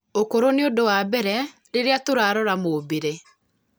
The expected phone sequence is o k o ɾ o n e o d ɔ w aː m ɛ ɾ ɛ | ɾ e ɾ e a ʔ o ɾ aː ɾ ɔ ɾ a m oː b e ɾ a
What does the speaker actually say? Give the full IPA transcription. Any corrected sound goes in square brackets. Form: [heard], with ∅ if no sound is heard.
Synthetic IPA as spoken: o k o ɾ o n e o d [o] w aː [b] ɛ ɾ ɛ | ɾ e ɾ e a [t] o ɾ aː ɾ ɔ ɾ a m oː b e ɾ [e]